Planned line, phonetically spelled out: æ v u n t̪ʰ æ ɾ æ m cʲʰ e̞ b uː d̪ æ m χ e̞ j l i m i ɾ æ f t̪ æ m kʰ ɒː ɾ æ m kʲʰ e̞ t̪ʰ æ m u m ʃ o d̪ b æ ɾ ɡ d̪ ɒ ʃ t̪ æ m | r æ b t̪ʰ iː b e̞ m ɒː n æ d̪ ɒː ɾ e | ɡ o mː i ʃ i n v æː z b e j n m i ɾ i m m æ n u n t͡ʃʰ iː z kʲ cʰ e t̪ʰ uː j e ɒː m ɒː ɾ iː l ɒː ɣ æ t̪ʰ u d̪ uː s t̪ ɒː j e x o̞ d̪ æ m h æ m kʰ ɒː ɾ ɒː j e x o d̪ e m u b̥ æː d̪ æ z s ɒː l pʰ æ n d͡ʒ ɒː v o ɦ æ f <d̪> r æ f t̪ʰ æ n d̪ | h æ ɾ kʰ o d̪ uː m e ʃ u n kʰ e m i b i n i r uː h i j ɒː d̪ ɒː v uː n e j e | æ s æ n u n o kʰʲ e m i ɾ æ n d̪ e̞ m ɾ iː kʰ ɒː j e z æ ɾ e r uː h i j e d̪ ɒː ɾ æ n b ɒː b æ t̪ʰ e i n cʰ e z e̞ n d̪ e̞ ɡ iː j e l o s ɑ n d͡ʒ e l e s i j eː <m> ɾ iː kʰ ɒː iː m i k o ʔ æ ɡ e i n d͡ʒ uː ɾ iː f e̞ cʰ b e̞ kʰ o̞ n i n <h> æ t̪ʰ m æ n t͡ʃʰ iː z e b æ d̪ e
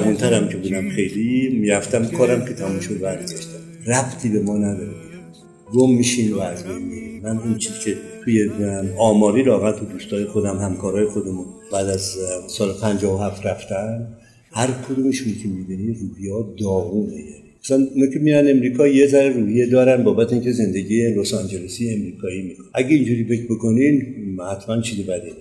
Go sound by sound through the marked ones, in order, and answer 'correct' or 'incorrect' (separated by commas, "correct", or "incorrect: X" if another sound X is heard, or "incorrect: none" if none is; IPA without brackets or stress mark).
incorrect: t̪, correct, correct